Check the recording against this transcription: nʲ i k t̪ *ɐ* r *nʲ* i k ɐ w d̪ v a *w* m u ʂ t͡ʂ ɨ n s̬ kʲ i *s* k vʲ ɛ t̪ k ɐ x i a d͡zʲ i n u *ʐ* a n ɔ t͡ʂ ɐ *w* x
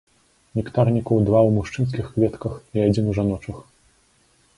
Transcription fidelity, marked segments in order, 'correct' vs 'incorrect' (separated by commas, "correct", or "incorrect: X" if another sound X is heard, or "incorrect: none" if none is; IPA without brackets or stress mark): incorrect: a, correct, correct, incorrect: x, correct, incorrect: none